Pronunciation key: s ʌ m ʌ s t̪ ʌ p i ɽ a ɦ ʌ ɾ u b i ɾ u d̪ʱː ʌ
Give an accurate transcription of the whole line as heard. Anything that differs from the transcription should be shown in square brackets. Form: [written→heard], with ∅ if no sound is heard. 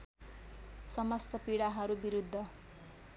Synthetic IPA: s ʌ m ʌ s t̪ ʌ p i ɽ a ɦ ʌ ɾ u b i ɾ u d̪ʱː ʌ